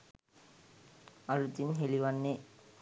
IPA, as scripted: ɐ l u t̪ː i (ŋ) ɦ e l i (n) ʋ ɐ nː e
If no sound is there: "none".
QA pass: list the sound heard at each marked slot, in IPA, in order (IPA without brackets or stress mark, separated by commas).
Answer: n, none